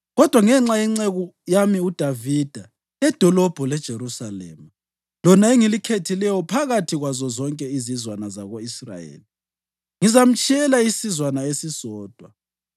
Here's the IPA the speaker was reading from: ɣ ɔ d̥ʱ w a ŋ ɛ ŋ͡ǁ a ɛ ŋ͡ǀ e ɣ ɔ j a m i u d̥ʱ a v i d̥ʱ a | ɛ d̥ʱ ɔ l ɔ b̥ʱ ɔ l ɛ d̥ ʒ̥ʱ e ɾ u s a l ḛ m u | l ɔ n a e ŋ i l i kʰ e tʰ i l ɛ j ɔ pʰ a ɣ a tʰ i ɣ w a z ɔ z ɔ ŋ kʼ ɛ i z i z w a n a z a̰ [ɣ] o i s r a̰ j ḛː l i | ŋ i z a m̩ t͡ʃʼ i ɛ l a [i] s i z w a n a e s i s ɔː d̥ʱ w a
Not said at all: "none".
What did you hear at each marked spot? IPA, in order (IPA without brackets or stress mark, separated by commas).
ɣ, i